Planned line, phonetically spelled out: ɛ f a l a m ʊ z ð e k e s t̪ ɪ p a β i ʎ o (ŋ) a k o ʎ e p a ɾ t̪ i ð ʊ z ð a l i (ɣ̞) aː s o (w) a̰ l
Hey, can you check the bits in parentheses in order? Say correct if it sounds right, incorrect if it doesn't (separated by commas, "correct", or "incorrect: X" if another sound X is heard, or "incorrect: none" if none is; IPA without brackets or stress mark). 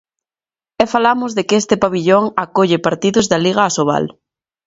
correct, correct, incorrect: β